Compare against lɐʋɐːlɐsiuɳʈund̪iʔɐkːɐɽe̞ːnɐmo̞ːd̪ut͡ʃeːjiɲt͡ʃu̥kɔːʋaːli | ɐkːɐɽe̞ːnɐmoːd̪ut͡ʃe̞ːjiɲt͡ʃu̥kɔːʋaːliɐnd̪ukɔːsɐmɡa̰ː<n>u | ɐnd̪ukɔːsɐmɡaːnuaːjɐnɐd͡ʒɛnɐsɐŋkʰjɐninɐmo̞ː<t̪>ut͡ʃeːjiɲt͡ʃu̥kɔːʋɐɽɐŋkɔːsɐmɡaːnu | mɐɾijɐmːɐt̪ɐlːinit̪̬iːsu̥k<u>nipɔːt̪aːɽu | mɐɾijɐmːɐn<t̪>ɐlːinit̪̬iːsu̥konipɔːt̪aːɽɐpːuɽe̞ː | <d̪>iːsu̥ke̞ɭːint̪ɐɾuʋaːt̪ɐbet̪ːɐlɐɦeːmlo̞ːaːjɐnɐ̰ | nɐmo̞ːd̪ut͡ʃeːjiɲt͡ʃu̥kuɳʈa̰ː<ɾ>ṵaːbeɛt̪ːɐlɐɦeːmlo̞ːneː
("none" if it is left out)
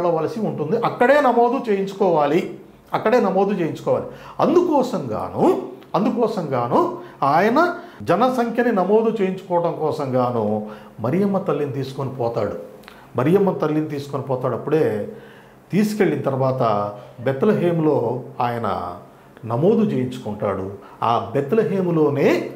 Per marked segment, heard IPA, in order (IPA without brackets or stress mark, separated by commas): n, d̪, o, t̪, t̪, ɽ